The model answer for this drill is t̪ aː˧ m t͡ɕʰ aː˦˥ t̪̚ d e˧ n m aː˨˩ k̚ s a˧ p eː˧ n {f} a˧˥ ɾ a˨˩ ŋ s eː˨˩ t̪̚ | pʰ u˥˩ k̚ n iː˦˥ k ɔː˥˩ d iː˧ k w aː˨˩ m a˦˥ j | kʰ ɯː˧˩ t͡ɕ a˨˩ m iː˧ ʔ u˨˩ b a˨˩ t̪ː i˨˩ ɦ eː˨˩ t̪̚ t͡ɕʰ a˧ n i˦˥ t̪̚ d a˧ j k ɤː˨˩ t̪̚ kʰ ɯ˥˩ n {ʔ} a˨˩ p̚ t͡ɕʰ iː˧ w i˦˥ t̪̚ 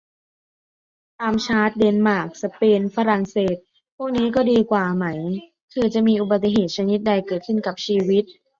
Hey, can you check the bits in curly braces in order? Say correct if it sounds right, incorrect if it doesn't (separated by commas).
correct, incorrect